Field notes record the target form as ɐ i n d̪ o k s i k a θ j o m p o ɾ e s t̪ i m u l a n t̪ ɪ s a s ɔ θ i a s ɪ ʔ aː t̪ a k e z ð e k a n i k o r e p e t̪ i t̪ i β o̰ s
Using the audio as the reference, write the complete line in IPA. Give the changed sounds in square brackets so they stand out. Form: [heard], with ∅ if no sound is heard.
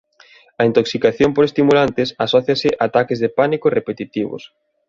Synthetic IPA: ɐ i n [t̪] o k s i k a θ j o m p o ɾ e s t̪ i m u l a n t̪ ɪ s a s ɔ θ [j] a s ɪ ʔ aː t̪ a k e z ð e [p] a n i k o r e p e t̪ i t̪ i β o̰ s